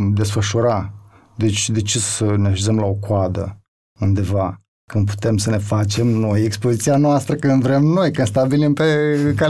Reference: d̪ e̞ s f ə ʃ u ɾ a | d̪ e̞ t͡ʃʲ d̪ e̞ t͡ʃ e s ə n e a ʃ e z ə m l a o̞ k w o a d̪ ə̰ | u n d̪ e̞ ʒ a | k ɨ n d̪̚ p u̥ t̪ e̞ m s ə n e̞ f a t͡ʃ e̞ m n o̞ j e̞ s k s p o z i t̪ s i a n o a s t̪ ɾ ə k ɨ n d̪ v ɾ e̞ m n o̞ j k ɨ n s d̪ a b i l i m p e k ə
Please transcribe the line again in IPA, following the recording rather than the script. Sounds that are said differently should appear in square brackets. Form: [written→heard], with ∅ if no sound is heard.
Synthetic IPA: d̪ e̞ s f ə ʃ u ɾ a | d̪ e̞ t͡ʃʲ d̪ e̞ t͡ʃ e s ə n e a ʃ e z ə m l a o̞ k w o a d̪ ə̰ | u n d̪ e̞ [ʒ→v] a | k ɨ n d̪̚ p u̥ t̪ e̞ m s ə n e̞ f a t͡ʃ e̞ m n o̞ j e̞ [s→∅] k s p o z i t̪ s i a n o a s t̪ ɾ ə k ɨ n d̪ v ɾ e̞ m n o̞ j k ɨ n s [d̪→t̪] a b i l i m p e k [ə→a]